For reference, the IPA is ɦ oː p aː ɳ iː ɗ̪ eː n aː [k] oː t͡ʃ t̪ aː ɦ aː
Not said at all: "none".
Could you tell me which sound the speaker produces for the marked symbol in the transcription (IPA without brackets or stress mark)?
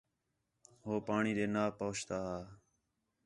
p